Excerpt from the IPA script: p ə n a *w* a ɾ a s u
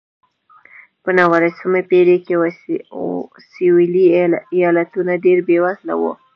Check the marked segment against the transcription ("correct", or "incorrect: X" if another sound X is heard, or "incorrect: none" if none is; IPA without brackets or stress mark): correct